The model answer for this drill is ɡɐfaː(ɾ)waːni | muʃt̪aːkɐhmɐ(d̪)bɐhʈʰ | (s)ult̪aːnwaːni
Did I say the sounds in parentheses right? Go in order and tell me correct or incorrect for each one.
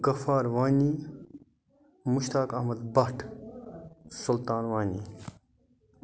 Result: correct, correct, correct

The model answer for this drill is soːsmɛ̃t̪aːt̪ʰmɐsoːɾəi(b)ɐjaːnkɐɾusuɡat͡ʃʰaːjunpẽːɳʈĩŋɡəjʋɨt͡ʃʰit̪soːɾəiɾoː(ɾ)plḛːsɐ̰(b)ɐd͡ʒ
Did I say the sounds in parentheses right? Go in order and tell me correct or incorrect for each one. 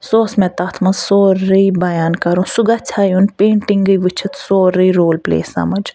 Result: correct, incorrect: l, incorrect: m

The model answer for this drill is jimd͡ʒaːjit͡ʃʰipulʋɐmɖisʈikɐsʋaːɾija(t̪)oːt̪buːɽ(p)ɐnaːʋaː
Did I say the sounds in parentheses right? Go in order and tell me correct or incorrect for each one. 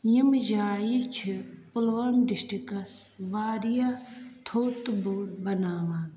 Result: incorrect: t̪ʰ, incorrect: b

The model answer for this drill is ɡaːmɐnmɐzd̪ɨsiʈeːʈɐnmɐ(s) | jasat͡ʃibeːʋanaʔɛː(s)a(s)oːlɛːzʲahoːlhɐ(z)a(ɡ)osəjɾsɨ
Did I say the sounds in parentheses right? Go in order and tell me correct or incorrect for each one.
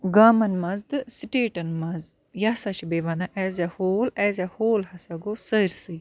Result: incorrect: z, incorrect: z, incorrect: h, incorrect: s, correct

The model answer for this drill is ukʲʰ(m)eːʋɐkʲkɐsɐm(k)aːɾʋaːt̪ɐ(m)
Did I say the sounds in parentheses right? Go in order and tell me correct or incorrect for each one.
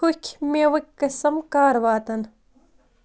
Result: correct, correct, incorrect: n

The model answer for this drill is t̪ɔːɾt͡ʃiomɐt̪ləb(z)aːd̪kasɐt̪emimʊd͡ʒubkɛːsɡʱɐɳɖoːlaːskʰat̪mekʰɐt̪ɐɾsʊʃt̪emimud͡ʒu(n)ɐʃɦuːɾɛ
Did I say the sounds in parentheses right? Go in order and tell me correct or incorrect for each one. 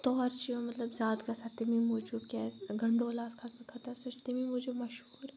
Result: correct, incorrect: m

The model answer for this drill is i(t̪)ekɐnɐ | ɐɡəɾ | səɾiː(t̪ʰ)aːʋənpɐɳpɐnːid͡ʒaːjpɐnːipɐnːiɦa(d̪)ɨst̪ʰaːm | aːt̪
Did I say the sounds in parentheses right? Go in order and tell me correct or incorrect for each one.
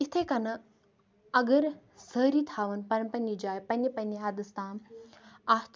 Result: incorrect: t̪ʰ, correct, correct

